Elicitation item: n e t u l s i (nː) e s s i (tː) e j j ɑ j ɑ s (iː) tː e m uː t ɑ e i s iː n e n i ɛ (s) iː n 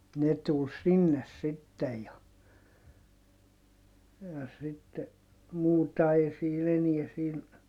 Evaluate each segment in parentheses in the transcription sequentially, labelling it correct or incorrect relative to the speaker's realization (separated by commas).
correct, correct, incorrect, correct